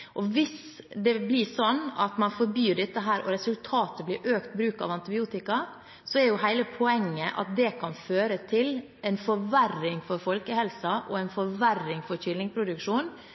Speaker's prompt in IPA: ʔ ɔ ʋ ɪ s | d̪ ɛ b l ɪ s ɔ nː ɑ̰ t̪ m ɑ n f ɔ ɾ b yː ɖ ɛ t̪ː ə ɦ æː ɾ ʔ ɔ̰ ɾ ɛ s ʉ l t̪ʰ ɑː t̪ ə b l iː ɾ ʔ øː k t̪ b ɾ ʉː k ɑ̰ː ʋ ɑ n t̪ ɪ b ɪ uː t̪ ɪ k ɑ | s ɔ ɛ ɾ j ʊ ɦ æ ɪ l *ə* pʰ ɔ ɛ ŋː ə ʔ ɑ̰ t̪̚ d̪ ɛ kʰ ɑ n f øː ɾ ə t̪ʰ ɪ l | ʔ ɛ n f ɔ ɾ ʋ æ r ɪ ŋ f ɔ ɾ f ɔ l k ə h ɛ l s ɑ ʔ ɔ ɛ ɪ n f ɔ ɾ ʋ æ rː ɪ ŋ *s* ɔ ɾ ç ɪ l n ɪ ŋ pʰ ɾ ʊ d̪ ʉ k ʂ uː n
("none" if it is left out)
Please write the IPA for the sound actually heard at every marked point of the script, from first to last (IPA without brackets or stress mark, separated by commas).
ə, f